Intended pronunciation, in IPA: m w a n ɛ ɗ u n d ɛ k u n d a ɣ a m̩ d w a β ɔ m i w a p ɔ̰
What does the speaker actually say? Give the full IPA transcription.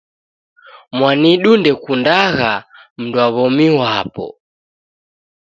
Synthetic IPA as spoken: m w a n i ɗ u n d ɛ k u n d a ɣ a m̩ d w a β ɔ m i w a p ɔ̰